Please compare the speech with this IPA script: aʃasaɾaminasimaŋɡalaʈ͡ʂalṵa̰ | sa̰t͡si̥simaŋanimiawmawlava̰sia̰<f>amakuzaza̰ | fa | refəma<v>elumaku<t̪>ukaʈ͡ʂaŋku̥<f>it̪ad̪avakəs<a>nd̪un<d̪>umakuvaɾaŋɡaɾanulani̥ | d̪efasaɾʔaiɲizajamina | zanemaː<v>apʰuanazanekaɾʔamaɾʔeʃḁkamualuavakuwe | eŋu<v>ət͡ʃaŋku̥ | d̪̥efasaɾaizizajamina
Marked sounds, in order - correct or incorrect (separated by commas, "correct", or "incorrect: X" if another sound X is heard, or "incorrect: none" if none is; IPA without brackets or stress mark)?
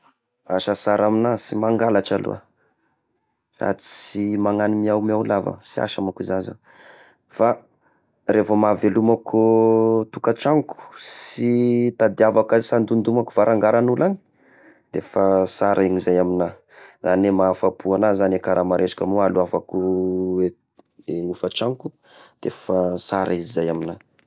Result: incorrect: ʃ, correct, correct, incorrect: s, correct, correct, incorrect: f, incorrect: f